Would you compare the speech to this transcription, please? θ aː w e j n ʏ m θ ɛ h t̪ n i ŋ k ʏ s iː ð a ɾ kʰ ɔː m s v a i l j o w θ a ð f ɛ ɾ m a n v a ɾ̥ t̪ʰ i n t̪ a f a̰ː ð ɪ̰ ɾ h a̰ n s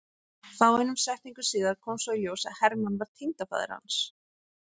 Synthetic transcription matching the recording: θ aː w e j n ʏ m s ɛ h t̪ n i ŋ k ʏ s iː ð a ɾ kʰ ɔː m s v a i l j o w s a ð h ɛ ɾ m a n v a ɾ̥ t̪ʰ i n t̪ a f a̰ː ð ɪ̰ ɾ h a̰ n s